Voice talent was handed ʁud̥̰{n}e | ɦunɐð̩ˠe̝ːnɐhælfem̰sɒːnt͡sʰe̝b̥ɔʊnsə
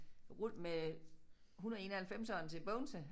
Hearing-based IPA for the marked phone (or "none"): m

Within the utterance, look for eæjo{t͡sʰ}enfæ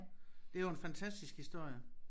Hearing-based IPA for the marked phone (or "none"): none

